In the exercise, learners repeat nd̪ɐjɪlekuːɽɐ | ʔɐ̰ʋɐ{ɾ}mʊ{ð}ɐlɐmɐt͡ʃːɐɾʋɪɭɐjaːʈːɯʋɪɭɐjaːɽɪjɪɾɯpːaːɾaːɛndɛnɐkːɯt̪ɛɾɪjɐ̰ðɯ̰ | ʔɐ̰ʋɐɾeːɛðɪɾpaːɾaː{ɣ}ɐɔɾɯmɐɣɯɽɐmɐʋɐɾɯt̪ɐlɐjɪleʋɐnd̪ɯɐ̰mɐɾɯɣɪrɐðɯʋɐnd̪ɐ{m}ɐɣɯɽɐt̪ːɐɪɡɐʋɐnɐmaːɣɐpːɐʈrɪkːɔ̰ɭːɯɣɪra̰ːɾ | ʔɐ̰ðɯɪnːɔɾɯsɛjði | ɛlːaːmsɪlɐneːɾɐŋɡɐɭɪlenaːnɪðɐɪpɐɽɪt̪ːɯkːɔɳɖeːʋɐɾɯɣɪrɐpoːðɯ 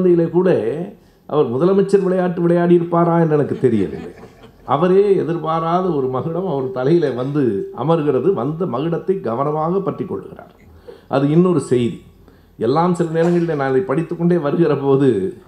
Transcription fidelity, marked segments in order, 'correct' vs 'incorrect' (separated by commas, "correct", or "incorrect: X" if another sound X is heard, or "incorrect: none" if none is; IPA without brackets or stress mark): correct, correct, incorrect: ð, correct